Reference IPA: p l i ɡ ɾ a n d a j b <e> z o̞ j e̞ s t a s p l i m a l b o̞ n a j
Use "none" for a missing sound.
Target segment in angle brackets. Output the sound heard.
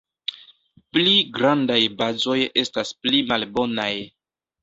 a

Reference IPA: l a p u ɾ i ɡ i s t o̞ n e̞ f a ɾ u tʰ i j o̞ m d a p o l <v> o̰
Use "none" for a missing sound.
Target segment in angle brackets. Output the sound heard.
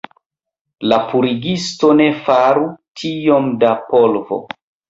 v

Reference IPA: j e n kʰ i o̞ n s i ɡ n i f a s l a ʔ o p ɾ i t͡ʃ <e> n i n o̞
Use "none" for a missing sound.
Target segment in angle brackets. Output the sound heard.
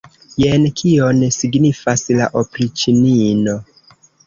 i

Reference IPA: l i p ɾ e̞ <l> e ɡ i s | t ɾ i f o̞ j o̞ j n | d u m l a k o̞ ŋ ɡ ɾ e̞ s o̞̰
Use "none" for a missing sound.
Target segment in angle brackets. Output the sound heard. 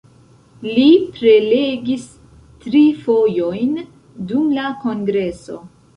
l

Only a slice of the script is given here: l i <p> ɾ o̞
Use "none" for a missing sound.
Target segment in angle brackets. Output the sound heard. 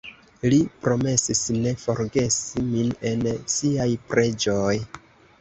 p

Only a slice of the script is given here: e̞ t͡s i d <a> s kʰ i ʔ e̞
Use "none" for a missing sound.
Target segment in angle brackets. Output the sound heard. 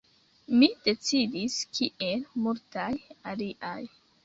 i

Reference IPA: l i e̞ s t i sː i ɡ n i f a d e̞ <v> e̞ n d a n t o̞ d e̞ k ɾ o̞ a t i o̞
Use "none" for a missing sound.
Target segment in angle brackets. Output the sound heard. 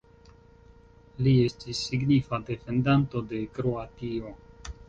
f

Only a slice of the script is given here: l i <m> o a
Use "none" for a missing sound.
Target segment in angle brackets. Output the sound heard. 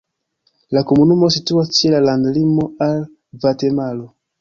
m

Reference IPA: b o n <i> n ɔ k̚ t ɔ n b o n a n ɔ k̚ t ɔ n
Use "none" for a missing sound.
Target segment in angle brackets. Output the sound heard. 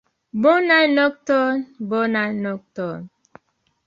a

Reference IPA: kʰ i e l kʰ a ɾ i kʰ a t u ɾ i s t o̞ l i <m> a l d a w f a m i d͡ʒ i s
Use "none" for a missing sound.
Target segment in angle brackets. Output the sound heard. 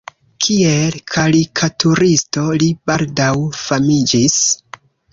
b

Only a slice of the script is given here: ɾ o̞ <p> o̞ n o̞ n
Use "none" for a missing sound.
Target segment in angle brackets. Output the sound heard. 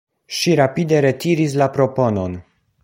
p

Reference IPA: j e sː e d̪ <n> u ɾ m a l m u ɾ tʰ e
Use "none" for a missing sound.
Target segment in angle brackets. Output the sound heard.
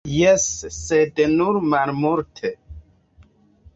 n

